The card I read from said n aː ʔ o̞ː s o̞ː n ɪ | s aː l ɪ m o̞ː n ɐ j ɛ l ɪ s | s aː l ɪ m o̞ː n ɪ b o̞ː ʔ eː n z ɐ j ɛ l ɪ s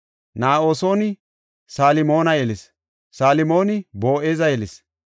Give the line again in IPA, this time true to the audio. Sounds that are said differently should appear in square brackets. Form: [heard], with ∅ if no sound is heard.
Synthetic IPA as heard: n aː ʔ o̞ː s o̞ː n ɪ | s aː l ɪ m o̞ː n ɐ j ɛ l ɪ s | s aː l ɪ m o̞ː n ɪ b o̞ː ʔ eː [∅] z ɐ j ɛ l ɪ s